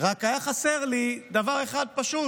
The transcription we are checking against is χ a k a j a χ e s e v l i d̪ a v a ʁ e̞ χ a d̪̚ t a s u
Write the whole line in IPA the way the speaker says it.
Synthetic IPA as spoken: ʁ a k a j a χ a s e ʁ l i d̪ a v a ʁ e̞ χ a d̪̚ p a ʃ u